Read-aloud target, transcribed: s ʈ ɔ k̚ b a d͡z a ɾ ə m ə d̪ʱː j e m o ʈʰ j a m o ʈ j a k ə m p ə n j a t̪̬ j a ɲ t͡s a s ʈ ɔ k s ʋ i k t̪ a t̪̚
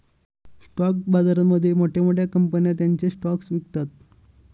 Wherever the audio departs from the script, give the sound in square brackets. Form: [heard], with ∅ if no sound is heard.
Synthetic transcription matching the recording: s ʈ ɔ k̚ b a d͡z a ɾ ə m ə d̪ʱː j e m o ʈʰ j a m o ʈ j a k ə m p ə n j a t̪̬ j a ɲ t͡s [e] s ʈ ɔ k s ʋ i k t̪ a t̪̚

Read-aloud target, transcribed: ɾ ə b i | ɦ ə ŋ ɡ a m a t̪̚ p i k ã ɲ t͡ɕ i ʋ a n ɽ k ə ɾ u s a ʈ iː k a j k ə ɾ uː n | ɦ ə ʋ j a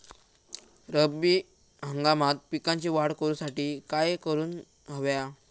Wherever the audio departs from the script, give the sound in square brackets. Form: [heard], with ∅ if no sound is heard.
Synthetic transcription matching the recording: ɾ ə b i | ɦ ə ŋ ɡ a m a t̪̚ p i k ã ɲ t͡ɕ i ʋ a [∅] ɽ k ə ɾ u s a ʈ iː k a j k ə ɾ uː n | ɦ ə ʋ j a

